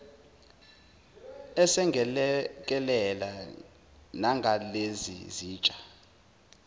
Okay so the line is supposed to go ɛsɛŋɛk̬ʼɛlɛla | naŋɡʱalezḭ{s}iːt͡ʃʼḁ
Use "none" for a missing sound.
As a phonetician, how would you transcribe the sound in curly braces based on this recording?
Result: z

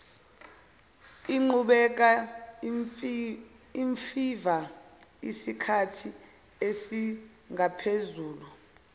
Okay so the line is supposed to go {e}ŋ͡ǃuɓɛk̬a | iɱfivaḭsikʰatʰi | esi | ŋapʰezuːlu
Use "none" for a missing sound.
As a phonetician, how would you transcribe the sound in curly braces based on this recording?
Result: i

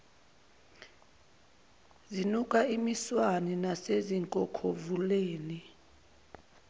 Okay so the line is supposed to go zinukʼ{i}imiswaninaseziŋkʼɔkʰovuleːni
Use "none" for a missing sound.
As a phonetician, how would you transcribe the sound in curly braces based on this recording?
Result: a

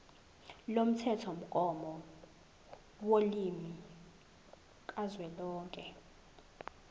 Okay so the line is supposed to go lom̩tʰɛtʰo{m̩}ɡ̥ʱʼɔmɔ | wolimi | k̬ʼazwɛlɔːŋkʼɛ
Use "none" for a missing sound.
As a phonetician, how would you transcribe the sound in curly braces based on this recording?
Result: m̩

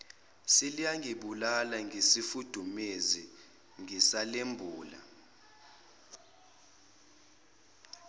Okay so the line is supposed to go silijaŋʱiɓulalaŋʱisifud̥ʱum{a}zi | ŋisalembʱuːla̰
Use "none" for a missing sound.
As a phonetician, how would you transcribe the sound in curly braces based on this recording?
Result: e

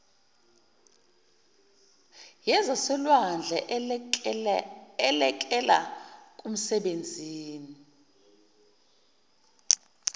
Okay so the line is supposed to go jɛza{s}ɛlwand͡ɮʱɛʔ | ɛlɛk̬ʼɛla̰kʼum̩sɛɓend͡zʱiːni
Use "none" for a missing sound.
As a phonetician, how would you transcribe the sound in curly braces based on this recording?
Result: s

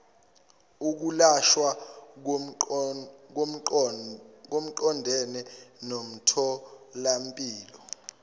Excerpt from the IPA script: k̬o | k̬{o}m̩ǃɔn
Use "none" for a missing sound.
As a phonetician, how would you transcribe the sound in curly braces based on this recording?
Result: o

